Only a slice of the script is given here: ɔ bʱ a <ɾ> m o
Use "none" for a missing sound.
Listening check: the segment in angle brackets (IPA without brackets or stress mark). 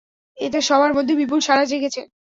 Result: ɾ